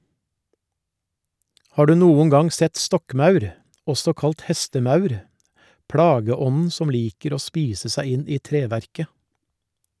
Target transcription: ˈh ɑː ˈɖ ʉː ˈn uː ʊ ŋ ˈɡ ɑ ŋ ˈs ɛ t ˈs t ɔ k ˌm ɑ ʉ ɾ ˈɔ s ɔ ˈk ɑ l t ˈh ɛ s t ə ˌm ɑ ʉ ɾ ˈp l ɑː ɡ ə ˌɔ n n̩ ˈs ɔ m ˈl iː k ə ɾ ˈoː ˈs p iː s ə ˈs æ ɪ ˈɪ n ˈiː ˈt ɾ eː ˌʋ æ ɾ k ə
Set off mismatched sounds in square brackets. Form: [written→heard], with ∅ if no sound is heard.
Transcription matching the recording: ˈh ɑː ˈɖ ʉː ˈn uː ʊ ŋ ˈɡ ɑ ŋ ˈs ɛ t ˈs t ɔ k ˌm ɑ ʉ ɾ ˈɔ s ɔ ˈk ɑ l t ˈh ɛ s t ə ˌm ɑ ʉ ɾ ˈp [l→ɽ] ɑː ɡ ə ˌɔ n n̩ ˈs ɔ m ˈl iː k ə ɾ ˈoː ˈs p iː s ə ˈs æ ɪ ˈɪ n ˈiː ˈt ɾ eː ˌʋ æ ɾ k ə